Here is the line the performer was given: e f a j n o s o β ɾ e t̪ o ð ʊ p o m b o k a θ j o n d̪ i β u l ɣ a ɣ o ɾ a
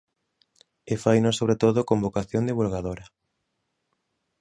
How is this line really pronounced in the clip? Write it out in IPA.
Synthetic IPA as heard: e f a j n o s o β ɾ e t̪ o ð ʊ k o m b o k a θ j o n d̪ i β u l ɣ a ð o ɾ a